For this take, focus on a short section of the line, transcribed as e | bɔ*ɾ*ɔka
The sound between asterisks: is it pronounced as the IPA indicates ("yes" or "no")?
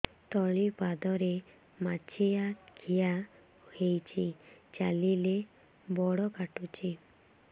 no